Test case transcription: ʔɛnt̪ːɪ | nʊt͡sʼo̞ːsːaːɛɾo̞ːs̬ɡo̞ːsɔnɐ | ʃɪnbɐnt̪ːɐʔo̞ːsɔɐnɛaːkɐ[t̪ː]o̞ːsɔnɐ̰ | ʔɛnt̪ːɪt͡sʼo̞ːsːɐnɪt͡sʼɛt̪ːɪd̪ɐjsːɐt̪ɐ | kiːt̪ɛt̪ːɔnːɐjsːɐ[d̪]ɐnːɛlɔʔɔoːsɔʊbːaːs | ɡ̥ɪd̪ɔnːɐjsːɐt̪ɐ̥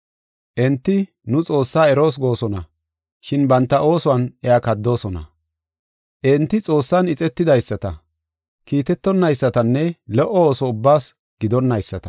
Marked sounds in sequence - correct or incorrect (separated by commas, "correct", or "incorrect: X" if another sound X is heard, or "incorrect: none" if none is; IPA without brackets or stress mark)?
incorrect: d̪ː, incorrect: t̪